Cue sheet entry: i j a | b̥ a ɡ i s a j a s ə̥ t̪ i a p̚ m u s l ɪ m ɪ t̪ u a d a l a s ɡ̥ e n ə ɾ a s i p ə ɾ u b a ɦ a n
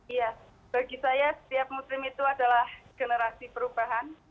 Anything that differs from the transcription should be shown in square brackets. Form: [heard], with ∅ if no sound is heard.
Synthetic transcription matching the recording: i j a | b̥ a ɡ i s a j a s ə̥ t̪ i a p̚ m u s l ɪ m [i] t̪ u a d a l a [h] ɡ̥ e n ə ɾ a s i p ə ɾ u b a ɦ a n